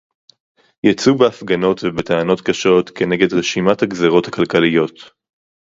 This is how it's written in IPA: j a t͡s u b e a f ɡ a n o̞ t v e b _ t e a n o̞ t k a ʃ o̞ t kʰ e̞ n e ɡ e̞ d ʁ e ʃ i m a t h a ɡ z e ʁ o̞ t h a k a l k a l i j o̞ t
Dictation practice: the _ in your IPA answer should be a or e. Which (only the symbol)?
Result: e